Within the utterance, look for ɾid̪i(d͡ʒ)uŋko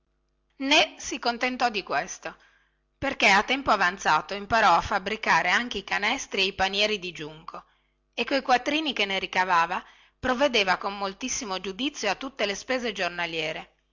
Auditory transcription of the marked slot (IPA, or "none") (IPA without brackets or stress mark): d͡ʒ